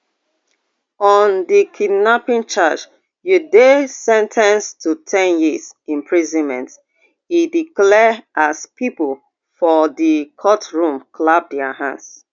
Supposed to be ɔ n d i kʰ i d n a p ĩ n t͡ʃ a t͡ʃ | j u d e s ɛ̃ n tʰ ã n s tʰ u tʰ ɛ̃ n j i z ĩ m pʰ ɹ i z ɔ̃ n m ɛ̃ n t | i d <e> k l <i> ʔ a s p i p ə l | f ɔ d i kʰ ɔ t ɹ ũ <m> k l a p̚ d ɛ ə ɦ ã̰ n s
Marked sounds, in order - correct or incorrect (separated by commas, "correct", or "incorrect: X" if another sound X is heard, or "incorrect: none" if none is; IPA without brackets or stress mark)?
incorrect: i, incorrect: ɛ, correct